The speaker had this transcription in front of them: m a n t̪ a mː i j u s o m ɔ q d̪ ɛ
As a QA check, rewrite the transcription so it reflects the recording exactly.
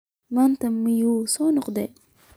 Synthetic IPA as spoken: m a n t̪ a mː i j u s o n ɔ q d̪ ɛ